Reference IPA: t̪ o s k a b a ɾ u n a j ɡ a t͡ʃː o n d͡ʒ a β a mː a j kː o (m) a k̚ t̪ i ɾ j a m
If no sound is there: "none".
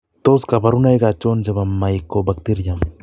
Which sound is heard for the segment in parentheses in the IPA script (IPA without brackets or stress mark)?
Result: b